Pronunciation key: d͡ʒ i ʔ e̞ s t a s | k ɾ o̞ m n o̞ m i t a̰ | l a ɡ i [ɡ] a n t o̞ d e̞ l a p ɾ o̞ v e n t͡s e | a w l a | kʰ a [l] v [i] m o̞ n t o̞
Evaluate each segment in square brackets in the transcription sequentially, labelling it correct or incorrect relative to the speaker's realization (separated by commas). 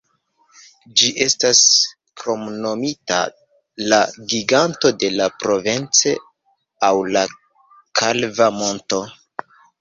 correct, correct, incorrect